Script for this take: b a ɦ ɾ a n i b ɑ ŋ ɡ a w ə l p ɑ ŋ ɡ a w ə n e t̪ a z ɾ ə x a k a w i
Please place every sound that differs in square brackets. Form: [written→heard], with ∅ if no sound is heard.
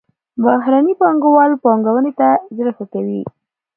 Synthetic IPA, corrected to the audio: b a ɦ ɾ a n i [b→p] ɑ ŋ ɡ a w [ə→ɑ] l p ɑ ŋ ɡ a w ə n e t̪ a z ɾ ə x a k a w i